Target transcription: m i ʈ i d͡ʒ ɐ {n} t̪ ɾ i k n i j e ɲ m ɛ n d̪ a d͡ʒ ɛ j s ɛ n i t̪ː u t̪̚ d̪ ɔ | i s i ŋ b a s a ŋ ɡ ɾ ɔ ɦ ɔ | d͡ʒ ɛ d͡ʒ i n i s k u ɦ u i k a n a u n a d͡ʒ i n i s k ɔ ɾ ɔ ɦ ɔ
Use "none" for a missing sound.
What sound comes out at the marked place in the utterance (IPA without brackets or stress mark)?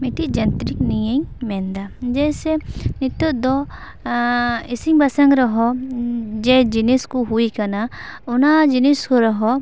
n